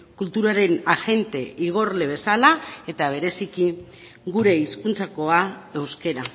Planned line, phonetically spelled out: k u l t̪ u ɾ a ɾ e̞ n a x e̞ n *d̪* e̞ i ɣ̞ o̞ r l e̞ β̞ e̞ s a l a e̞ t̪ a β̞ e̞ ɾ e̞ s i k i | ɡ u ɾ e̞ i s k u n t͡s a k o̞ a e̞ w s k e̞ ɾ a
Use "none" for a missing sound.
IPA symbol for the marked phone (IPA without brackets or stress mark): t̪